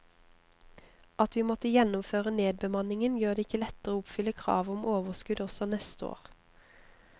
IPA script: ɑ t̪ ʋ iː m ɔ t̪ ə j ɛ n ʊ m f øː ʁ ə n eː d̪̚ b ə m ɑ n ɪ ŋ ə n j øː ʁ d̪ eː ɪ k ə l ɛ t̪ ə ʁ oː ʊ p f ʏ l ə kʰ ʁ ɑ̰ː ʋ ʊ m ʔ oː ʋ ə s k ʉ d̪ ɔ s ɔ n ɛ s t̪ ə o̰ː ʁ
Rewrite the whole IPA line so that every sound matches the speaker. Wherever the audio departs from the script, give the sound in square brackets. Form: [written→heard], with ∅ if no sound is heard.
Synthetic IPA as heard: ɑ t̪ ʋ iː m ɔ t̪ ə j ɛ n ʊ m f øː ʁ ə n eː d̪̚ b ə m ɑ n ɪ ŋ ə n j øː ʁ d̪ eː ɪ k ə l ɛ t̪ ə ʁ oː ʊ p f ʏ l ə kʰ ʁ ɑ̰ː ʋ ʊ m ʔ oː ʋ ə s k ʉ d̪ ɔ s ɔ n ɛ s t̪ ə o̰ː ʁ

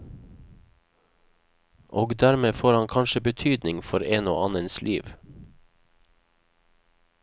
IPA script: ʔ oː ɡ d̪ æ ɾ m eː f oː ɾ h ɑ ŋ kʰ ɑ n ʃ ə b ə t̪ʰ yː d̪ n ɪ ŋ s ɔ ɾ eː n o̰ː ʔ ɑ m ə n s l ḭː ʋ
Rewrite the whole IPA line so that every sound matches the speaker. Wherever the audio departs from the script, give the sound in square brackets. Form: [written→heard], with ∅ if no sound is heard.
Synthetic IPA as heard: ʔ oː ɡ d̪ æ ɾ m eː f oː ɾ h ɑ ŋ kʰ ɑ n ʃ ə b ə t̪ʰ yː d̪ n ɪ ŋ [s→f] ɔ ɾ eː n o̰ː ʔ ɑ [m→n] ə n s l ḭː ʋ

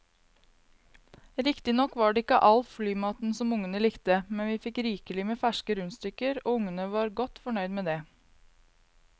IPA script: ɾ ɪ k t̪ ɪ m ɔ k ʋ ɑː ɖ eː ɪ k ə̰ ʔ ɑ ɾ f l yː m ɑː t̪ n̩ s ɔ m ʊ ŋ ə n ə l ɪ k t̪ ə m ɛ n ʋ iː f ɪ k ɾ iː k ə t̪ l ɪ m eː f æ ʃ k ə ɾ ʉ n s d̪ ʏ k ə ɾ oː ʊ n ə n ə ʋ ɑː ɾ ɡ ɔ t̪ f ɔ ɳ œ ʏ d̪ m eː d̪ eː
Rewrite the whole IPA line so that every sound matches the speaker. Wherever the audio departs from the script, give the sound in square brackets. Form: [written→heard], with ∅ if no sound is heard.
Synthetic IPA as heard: ɾ ɪ k t̪ ɪ [m→n] ɔ k ʋ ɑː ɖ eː ɪ k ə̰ ʔ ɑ [ɾ→l] f l yː m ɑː t̪ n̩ s ɔ m ʊ ŋ ə n ə l ɪ k t̪ ə m ɛ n ʋ iː f ɪ k ɾ iː k ə [t̪→∅] l ɪ m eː f æ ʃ k ə ɾ ʉ n s [d̪→t̪] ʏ k ə ɾ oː ʊ [n→ŋ] ə n ə ʋ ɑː ɾ ɡ ɔ t̪ f ɔ ɳ œ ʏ d̪ m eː d̪ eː

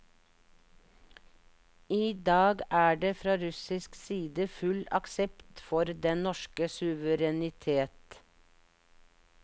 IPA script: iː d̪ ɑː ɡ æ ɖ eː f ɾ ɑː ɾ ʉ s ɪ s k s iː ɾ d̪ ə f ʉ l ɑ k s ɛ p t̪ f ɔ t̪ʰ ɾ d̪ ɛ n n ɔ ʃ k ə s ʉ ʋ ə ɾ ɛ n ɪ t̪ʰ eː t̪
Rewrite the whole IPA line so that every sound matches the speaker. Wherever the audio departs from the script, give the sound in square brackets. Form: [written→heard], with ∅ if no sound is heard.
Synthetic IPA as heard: iː d̪ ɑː ɡ [æ→æː] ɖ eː f ɾ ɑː ɾ ʉ s ɪ s k s iː [ɾ→∅] d̪ ə f ʉ l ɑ k s ɛ p t̪ f ɔ [t̪ʰ→∅] ɾ d̪ ɛ n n ɔ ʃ k ə s ʉ ʋ ə ɾ ɛ n ɪ t̪ʰ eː t̪

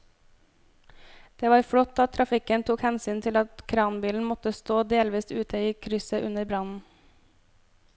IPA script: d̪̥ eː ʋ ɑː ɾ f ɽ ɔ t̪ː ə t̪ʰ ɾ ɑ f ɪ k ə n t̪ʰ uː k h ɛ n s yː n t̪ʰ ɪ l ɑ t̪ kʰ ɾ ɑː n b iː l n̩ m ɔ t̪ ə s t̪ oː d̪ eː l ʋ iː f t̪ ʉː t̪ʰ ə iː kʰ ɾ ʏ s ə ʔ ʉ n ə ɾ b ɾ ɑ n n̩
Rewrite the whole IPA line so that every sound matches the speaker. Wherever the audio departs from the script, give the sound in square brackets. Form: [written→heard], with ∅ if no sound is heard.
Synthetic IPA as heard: d̪̥ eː ʋ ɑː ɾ f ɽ ɔ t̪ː [ə→ɑ] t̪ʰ ɾ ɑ f ɪ k ə n t̪ʰ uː k h ɛ n s yː n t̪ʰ ɪ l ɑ t̪ kʰ ɾ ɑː n b iː l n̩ m ɔ t̪ ə s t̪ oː d̪ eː l ʋ iː [f→s] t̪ ʉː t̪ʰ ə iː kʰ ɾ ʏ s ə ʔ ʉ n ə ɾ b ɾ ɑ n n̩

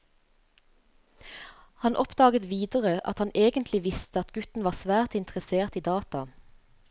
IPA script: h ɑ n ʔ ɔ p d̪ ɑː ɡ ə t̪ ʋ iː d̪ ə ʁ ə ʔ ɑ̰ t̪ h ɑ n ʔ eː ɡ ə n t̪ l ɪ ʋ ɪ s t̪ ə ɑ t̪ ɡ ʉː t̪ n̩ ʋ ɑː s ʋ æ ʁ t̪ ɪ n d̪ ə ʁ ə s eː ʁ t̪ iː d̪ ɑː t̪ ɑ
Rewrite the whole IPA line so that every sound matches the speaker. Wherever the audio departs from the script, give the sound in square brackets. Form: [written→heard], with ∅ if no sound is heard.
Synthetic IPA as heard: h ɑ n ʔ ɔ p d̪ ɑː ɡ ə t̪ ʋ iː d̪ ə ʁ ə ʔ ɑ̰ t̪ h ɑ n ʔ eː ɡ ə n t̪ l ɪ ʋ ɪ s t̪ ə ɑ t̪ ɡ [ʉː→ʉ] t̪ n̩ ʋ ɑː s ʋ [æ→æː] ʁ t̪ ɪ n [d̪→t̪] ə ʁ ə s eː ʁ t̪ iː d̪ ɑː t̪ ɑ

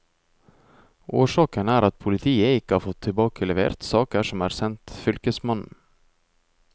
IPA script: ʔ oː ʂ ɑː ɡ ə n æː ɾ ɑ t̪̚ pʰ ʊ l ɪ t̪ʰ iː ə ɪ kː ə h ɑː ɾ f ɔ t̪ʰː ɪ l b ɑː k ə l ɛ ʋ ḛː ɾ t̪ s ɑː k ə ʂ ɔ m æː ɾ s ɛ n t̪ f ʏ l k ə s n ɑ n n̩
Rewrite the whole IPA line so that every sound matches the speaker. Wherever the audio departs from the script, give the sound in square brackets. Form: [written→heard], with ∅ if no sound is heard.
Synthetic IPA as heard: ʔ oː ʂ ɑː [ɡ→k] ə n æː ɾ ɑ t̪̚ pʰ ʊ l ɪ t̪ʰ iː ə ɪ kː ə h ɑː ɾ f ɔ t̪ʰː ɪ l b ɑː k ə l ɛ ʋ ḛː ɾ t̪ s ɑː k ə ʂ ɔ m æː ɾ s ɛ n t̪ f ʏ l k ə s [n→m] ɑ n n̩

